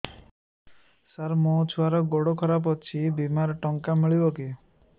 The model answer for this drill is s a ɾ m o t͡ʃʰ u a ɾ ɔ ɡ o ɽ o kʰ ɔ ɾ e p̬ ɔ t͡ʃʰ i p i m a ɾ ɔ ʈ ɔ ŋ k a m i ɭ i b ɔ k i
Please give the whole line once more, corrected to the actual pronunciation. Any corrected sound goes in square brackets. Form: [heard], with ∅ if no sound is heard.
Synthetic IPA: s a ɾ m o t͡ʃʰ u a ɾ ɔ ɡ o ɽ o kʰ ɔ ɾ [a] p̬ ɔ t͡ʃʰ i [b] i m a ɾ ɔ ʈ ɔ ŋ k a m i ɭ i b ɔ k i